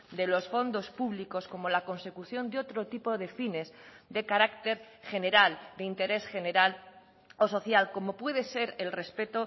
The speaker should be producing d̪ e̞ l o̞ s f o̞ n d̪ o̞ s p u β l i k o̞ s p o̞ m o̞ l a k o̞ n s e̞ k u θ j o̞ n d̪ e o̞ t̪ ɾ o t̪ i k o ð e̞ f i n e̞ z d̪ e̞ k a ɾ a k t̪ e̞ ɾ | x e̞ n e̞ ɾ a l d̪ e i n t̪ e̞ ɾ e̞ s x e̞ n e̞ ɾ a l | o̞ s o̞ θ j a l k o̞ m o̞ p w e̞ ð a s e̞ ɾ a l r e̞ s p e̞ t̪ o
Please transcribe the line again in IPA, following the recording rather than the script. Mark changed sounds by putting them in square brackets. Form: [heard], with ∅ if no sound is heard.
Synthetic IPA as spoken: d̪ e̞ l o̞ s f o̞ n d̪ o̞ s p u β l i k o̞ s [k] o̞ m o̞ l a k o̞ n s e̞ k u θ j o̞ n d̪ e o̞ t̪ ɾ o t̪ i [p] o ð e̞ f i n e̞ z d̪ e̞ k a ɾ a k t̪ e̞ ɾ | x e̞ n e̞ ɾ a l d̪ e i n t̪ e̞ ɾ e̞ s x e̞ n e̞ ɾ a l | o̞ s o̞ θ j a l k o̞ m o̞ p w e̞ ð [e] s e̞ ɾ [e] l r e̞ s p e̞ t̪ o